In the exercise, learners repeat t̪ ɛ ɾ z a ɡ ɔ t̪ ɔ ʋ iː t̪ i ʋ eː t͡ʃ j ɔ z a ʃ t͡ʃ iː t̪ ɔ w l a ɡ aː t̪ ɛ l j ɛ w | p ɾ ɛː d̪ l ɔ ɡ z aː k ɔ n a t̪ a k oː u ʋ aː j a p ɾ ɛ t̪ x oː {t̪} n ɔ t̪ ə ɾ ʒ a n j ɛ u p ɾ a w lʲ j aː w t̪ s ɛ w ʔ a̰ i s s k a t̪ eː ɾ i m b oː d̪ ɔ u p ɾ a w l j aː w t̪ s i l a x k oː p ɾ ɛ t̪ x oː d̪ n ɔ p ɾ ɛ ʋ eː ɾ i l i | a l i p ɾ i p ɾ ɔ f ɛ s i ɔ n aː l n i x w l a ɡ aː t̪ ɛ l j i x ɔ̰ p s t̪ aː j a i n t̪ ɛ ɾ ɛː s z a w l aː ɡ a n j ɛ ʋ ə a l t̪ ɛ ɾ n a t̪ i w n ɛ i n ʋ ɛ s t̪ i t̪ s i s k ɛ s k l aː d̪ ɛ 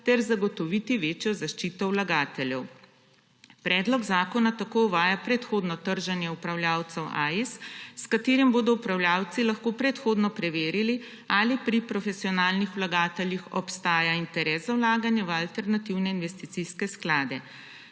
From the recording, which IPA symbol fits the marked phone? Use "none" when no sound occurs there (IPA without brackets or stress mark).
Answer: d̪